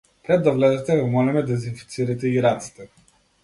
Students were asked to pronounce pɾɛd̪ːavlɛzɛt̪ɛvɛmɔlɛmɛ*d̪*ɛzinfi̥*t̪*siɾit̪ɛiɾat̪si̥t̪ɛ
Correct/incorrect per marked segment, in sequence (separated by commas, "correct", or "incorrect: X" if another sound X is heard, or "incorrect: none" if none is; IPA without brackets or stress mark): correct, correct